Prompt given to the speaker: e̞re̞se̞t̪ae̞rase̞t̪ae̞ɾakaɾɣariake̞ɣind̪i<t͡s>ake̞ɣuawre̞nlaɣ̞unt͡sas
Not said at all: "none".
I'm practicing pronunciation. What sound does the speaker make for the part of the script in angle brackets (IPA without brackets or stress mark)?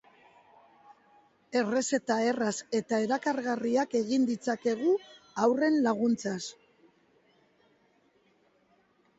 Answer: t͡s